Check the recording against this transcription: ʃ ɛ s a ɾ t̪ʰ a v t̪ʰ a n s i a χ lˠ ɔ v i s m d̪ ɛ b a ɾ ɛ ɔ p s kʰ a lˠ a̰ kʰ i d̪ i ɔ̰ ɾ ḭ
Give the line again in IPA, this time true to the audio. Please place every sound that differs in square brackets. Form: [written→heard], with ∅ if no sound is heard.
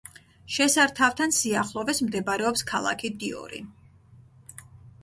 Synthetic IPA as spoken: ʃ ɛ s a ɾ t̪ʰ a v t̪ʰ a n s i a χ lˠ ɔ v [i→ɛ] s m d̪ ɛ b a ɾ ɛ ɔ p s kʰ a lˠ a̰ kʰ i d̪ i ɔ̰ ɾ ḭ